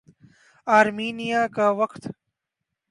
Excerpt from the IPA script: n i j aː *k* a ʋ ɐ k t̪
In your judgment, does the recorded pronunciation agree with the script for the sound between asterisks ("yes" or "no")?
yes